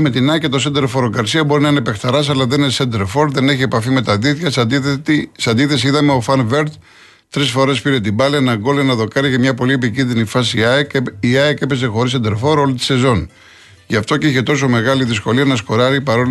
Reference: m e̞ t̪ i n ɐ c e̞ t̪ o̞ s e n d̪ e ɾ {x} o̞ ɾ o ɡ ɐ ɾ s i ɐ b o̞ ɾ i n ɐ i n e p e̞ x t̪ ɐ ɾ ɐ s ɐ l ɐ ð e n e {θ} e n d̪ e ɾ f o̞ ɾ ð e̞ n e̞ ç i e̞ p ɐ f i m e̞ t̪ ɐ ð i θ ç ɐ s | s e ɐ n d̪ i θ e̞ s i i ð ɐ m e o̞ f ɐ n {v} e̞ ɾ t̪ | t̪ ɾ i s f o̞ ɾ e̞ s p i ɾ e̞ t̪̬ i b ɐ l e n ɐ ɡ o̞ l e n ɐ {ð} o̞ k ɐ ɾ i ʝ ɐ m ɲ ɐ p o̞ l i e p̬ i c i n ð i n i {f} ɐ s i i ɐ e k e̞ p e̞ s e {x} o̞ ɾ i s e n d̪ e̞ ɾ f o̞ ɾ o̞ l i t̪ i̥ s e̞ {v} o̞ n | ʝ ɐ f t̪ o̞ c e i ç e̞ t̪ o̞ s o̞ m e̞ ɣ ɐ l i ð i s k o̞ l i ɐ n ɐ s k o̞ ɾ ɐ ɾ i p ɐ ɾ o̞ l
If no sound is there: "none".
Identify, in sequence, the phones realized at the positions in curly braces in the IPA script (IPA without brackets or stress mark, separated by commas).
f, s, v, ð, f, x, z